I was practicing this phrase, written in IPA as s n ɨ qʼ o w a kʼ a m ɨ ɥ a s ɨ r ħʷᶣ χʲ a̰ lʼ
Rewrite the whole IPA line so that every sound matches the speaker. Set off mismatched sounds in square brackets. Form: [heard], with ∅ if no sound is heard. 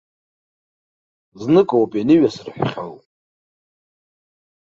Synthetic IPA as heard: [z] n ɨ [kʼ] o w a [pʼ] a [n] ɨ ɥ a s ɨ r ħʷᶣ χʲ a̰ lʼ